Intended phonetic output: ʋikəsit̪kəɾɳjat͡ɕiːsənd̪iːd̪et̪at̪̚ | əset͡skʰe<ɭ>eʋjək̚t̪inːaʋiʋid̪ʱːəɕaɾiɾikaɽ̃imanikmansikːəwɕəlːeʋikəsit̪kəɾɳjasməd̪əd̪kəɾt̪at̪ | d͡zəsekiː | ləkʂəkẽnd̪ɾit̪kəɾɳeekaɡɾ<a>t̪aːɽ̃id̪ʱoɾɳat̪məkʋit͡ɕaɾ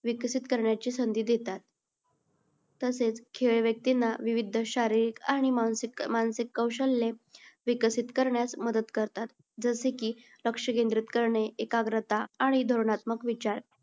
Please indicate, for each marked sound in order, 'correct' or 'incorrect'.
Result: correct, incorrect

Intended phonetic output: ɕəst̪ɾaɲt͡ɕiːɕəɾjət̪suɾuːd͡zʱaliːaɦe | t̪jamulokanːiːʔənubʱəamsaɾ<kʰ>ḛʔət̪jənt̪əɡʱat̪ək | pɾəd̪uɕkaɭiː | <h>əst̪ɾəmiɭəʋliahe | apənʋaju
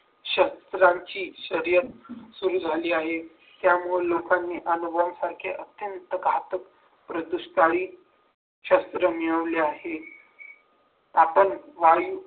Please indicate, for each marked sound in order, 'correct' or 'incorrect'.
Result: correct, incorrect

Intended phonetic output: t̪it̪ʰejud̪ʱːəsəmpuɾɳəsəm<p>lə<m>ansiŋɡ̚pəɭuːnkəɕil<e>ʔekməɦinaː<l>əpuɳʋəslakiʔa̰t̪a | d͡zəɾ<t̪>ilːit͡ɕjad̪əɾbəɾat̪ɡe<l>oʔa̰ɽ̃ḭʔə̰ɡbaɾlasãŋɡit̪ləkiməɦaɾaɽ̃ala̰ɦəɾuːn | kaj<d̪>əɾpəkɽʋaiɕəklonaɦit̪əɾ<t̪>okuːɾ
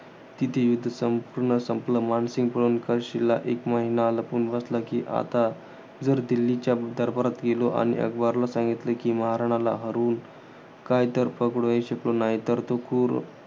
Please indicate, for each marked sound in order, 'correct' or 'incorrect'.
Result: correct, correct, incorrect, correct, incorrect, correct, incorrect, correct

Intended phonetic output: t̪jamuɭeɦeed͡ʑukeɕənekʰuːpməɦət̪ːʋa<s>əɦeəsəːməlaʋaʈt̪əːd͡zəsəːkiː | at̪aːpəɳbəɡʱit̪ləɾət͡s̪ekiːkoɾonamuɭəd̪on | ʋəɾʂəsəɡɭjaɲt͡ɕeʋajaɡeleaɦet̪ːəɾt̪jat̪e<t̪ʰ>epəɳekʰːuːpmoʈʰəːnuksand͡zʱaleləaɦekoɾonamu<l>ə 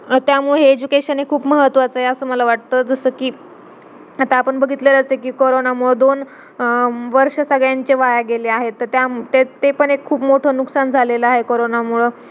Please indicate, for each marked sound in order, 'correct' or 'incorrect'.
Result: incorrect, incorrect, incorrect

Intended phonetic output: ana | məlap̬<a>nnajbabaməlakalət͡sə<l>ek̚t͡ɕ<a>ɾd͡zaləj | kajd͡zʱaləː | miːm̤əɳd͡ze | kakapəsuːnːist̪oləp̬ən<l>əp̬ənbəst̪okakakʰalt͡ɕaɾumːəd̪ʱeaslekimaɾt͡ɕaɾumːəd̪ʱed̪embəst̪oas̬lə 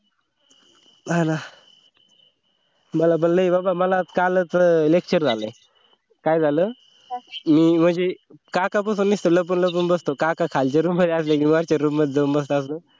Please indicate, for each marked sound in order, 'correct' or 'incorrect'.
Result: incorrect, correct, incorrect, correct

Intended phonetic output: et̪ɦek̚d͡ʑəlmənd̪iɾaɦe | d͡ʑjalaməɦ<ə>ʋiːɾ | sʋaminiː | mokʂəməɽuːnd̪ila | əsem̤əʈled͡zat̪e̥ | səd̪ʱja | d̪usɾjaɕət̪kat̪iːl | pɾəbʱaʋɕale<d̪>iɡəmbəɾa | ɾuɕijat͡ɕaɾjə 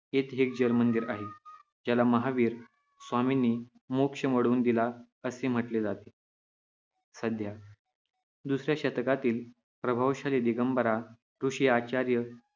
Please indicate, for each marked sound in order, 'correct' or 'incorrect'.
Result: incorrect, correct

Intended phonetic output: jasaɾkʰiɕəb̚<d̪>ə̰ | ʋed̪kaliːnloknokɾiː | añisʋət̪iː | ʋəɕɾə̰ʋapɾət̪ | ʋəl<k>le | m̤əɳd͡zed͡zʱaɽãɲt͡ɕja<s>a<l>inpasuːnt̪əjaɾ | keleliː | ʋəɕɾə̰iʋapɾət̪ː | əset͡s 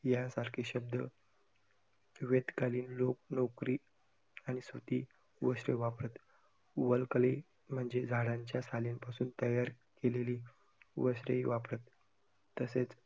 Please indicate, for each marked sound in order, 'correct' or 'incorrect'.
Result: correct, correct, correct, correct

